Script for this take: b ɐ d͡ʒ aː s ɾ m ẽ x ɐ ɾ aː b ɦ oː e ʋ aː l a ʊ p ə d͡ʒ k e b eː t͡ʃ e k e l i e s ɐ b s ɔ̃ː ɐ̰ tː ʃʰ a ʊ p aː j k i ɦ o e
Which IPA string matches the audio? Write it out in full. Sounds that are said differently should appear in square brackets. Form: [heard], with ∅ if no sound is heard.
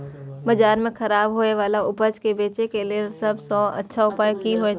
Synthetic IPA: b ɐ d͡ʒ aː [∅] ɾ m ẽ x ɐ ɾ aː b ɦ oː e ʋ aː l a ʊ p ə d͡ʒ k e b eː t͡ʃ e k e l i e s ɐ b s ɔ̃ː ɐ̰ tː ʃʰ a ʊ p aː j k i ɦ o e